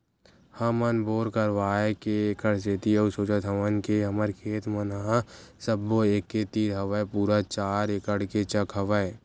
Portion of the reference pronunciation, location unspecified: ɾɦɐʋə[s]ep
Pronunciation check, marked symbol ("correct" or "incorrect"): incorrect